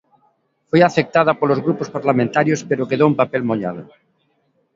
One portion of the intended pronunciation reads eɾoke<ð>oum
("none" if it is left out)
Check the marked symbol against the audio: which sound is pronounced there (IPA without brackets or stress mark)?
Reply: ð